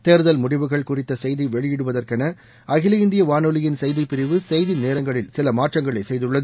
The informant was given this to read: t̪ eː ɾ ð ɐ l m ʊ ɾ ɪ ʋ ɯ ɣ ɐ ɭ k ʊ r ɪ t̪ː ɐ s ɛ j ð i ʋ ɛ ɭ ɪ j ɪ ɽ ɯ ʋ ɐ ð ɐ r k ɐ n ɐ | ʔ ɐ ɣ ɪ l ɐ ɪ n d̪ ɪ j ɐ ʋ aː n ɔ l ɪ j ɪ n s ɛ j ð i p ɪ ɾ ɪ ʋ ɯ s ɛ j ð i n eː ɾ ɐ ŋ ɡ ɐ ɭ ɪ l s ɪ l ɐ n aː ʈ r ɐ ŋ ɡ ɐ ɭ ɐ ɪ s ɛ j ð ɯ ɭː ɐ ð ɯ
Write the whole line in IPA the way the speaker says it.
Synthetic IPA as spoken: t̪ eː ɾ ð ɐ l m ʊ ɽ ɪ ʋ ɯ ɣ ɐ ɭ k ʊ r ɪ t̪ː ɐ s ɛ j ð i ʋ ɛ ɭ ɪ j ɪ ɽ ɯ ʋ ɐ ð ɐ r k ɐ n ɐ | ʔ ɐ ɣ ɪ l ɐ ɪ n d̪ ɪ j ɐ ʋ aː n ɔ l ɪ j ɪ n s ɛ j ð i p ɪ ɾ ɪ ʋ ɯ s ɛ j ð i n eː ɾ ɐ ŋ ɡ ɐ ɭ ɪ l s ɪ l ɐ m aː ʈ r ɐ ŋ ɡ ɐ ɭ ɐ ɪ s ɛ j ð ɯ ɭː ɐ ð ɯ